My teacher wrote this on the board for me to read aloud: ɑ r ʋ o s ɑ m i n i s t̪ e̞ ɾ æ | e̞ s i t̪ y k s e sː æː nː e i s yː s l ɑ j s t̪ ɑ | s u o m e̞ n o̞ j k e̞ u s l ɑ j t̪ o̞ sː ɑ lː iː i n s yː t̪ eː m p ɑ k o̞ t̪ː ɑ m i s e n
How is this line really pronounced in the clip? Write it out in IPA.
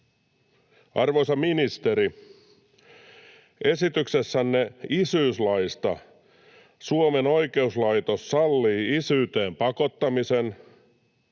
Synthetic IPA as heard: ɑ r ʋ o s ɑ m i n i s t̪ e̞ ɾ i | e̞ s i t̪ y k s e sː æ nː e i s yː s l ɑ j s t̪ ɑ | s u o m e̞ n o̞ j k e̞ u s l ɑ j t̪ o̞ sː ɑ lː iː i s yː t̪ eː m p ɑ k o̞ t̪ː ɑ m i s e n